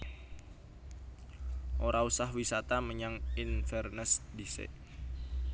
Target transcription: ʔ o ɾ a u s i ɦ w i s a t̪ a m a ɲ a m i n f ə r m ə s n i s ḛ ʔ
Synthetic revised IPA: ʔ o ɾ a u s a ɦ w i s a t̪ a m ə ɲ a ŋ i n f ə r n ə s d i s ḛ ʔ